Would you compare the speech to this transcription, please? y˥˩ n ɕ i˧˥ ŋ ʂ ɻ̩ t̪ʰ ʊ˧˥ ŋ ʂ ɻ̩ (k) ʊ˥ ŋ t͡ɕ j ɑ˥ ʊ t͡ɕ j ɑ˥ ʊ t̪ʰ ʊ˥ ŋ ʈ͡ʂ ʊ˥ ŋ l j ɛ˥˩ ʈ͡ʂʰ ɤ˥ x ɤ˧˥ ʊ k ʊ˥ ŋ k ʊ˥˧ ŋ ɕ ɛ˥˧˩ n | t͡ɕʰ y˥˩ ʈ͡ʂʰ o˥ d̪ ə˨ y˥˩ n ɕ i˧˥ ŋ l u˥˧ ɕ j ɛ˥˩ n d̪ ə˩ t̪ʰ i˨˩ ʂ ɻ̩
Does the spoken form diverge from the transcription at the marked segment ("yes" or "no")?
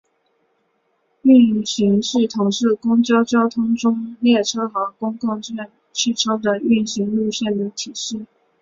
no